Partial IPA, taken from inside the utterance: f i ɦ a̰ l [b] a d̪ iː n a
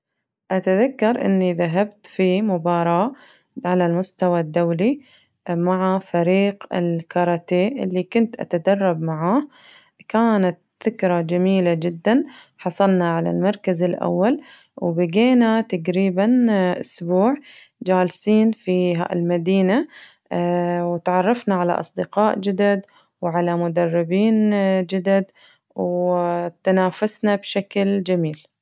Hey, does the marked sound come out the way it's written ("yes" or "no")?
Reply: no